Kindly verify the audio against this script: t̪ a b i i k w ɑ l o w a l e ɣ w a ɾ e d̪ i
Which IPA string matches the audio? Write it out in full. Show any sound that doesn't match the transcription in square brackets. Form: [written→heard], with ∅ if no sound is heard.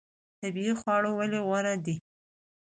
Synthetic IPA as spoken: t̪ a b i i [k→x] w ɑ [l→ɽ] o w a l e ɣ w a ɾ [e→a] d̪ i